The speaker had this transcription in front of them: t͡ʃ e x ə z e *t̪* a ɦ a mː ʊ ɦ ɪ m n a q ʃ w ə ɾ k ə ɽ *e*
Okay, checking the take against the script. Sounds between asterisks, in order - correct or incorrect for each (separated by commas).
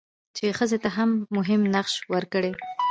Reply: correct, correct